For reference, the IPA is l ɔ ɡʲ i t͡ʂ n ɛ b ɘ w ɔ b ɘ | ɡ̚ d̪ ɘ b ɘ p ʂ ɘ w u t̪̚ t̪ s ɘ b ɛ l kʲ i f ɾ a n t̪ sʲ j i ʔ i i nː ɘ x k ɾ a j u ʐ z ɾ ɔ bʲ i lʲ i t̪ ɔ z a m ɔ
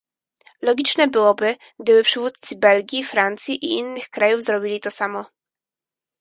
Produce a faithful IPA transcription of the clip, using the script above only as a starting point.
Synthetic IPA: l ɔ ɡʲ i t͡ʂ n ɛ b ɘ w ɔ b ɘ | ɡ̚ d̪ ɘ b ɘ p ʂ ɘ v u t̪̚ t̪ s ɘ b ɛ l ɡʲ i f ɾ a n t̪ sʲ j i ʔ i i nː ɘ x k ɾ a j u v z ɾ ɔ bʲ i lʲ i t̪ ɔ s a m ɔ